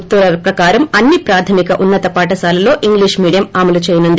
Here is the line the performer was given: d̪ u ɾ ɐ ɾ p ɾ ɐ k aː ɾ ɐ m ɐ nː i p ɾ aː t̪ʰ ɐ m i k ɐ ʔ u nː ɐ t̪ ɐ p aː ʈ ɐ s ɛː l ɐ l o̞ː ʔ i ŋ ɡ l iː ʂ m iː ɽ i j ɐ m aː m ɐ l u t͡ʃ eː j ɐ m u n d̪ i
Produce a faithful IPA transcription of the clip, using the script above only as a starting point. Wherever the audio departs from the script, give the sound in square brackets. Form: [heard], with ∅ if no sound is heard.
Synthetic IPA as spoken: [t̪] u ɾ ɐ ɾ p ɾ ɐ k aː ɾ ɐ m ɐ nː i p ɾ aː t̪ʰ ɐ m i k ɐ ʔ u nː ɐ t̪ ɐ p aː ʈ ɐ s [aː] l ɐ l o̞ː ʔ i ŋ ɡ l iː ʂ m iː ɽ i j ɐ m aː m ɐ l u t͡ʃ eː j ɐ [n] u n d̪ i